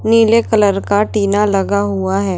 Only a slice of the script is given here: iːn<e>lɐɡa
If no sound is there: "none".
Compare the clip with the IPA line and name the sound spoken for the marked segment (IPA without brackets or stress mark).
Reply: a